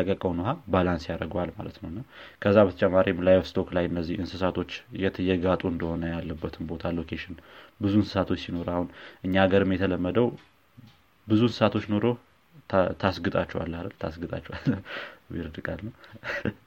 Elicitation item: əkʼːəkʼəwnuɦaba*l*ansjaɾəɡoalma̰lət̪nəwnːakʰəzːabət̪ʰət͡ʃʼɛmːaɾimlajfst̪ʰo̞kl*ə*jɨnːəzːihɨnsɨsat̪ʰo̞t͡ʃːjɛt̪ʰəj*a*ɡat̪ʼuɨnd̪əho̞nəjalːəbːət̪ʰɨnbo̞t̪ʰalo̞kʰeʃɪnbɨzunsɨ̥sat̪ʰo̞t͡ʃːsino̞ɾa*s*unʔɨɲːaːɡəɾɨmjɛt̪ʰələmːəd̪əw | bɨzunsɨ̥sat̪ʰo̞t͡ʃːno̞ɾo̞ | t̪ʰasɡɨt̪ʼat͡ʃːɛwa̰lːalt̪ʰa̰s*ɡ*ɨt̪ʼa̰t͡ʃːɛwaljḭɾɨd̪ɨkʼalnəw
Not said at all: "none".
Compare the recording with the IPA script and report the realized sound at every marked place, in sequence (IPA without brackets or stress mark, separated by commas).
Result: l, a, ɛ, h, ɡ